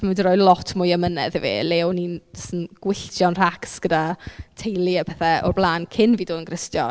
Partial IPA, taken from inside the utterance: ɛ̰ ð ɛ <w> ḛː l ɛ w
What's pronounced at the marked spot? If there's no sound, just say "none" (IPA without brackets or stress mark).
v